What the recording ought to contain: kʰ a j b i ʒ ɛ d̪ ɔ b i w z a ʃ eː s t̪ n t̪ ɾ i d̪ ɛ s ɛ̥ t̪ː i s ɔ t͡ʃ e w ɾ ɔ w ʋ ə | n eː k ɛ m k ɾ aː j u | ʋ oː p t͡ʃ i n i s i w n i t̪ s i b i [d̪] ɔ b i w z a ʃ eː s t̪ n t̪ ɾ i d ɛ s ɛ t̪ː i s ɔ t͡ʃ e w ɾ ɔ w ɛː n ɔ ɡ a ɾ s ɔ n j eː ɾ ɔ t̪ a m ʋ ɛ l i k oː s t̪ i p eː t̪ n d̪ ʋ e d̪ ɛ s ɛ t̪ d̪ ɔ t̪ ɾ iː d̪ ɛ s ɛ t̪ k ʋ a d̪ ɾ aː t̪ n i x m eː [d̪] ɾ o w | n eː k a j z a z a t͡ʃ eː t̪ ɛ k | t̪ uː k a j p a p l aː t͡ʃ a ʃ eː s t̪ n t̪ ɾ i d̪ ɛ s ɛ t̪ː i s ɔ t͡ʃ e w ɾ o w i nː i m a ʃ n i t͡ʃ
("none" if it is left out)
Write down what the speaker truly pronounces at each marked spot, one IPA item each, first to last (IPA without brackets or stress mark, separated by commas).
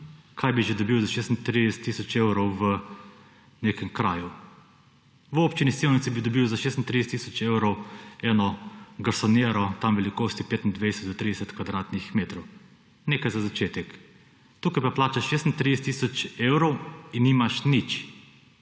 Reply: d̪, t̪